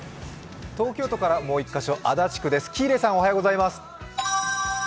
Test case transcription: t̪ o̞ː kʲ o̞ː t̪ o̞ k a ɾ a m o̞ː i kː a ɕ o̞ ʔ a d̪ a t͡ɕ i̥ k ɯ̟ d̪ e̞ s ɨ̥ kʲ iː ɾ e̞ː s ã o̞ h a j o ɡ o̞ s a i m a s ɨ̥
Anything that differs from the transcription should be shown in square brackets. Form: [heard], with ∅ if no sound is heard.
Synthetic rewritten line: t̪ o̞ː kʲ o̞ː t̪ o̞ k a ɾ a m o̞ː i kː a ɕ o̞ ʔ a d̪ a t͡ɕ i̥ k ɯ̟ d̪ e̞ s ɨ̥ kʲ iː ɾ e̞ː s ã o̞ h a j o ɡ o̞ [z] a i m a s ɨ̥